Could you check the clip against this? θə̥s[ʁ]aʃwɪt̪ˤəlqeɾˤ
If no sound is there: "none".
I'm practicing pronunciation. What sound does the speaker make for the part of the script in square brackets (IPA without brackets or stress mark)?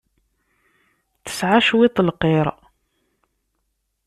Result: ʕ